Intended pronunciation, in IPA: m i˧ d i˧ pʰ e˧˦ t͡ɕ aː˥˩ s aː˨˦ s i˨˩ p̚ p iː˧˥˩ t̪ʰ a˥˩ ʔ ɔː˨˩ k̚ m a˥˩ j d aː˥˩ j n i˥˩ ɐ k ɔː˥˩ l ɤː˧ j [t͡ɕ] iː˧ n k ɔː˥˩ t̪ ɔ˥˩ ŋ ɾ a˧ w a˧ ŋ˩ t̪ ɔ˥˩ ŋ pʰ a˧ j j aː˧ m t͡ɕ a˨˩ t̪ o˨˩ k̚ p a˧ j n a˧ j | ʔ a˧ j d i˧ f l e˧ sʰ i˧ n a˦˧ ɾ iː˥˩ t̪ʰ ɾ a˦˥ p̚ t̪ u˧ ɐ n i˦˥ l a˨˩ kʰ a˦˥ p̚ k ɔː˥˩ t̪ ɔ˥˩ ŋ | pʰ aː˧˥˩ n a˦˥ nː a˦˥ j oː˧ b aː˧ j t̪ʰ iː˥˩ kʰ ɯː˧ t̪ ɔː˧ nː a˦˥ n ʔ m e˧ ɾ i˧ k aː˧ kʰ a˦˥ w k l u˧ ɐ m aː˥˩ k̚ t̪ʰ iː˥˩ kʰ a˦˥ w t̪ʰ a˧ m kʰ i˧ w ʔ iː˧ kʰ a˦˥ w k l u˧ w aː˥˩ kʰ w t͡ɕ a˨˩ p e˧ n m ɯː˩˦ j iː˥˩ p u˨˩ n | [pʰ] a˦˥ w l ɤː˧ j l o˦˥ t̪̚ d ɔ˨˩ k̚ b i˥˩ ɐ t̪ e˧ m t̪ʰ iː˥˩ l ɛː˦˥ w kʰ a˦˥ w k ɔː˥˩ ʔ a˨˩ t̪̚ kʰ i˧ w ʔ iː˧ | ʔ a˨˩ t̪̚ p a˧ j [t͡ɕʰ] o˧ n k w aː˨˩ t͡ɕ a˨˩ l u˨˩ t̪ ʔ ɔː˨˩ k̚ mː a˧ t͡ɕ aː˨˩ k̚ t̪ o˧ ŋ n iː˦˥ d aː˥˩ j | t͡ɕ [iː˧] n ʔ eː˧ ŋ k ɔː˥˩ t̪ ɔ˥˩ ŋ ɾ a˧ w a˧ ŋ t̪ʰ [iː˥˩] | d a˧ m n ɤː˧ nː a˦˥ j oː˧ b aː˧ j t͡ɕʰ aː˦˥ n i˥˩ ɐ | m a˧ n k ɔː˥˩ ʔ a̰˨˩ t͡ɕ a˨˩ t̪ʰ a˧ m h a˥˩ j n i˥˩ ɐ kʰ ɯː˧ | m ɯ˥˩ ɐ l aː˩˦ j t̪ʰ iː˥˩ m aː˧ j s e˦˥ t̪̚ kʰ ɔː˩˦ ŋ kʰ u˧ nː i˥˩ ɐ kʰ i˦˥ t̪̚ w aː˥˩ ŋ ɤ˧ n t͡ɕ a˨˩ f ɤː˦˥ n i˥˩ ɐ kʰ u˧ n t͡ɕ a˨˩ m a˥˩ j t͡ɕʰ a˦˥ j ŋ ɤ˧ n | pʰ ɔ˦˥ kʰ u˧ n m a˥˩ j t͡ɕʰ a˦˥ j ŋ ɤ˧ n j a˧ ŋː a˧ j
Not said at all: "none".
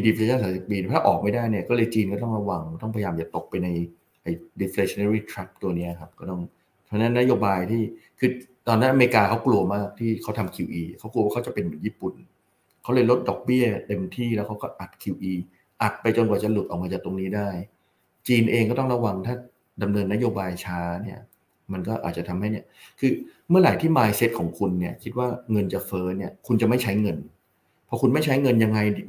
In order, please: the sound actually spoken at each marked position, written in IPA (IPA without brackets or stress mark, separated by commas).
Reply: t͡ɕ, kʰ, t͡ɕ, iː˧, aː˥˩